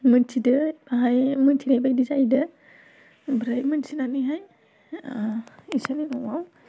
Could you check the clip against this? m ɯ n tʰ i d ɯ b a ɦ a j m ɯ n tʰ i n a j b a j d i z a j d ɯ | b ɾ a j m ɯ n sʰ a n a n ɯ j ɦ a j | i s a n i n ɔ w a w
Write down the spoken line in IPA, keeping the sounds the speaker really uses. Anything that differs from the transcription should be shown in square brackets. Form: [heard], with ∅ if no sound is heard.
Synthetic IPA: m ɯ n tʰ i d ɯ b a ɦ a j m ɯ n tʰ i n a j b a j d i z a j d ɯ | b ɾ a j m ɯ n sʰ [i] n a n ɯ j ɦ a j | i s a n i n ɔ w a w